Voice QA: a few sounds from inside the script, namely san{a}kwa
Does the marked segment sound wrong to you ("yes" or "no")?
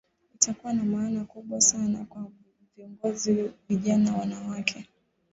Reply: no